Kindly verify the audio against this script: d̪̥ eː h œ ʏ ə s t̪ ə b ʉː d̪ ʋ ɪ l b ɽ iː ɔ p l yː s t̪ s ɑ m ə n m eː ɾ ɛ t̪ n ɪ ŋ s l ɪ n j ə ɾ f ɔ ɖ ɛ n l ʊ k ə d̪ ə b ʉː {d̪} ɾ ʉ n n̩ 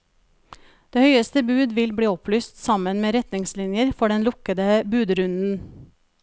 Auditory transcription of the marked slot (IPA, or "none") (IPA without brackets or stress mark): d̪